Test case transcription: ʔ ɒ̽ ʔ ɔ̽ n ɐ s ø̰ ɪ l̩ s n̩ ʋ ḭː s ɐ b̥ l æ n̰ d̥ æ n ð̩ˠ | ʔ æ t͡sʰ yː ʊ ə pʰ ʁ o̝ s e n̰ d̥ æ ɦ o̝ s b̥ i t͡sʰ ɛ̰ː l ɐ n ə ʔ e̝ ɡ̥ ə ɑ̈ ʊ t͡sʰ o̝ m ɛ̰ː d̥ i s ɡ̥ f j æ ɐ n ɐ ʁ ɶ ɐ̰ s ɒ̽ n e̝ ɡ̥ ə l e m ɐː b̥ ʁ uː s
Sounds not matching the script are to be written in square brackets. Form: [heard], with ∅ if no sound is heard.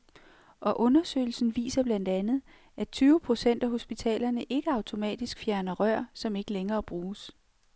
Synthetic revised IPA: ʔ ɒ̽ ʔ ɔ̽ n ɐ s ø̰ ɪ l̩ s n̩ ʋ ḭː s ɐ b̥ l æ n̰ d̥ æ n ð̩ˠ | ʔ æ t͡sʰ yː ʊ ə pʰ ʁ o̝ s e n̰ d̥ æ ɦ o̝ s b̥ i t͡sʰ ɛ̰ː l ɐ n ə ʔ e̝ ɡ̥ ə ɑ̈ ʊ t͡sʰ o̝ m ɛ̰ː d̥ i s ɡ̥ f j æ ɐ n ɐ ʁ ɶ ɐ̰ s ɒ̽ [m] e̝ ɡ̥ ə l e [ŋ] ɐː b̥ ʁ uː s